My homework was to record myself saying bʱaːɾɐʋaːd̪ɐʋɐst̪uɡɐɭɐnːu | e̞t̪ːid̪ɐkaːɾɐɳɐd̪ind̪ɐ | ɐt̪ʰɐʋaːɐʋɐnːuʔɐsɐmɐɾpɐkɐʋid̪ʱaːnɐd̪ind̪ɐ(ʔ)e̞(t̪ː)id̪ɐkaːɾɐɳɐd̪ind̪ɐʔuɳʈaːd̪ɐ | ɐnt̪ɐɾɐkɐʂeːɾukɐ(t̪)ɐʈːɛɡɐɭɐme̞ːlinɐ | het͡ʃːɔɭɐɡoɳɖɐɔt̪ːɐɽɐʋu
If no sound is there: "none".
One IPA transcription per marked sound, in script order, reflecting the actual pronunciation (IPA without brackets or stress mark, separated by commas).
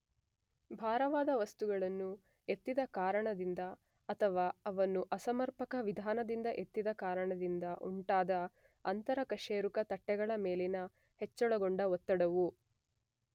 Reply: ʔ, t̪ː, t̪